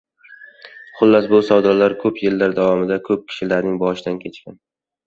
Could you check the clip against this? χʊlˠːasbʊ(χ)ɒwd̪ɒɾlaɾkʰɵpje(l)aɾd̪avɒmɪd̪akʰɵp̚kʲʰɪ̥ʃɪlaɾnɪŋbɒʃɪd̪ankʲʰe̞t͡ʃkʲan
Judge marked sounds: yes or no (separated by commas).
no, no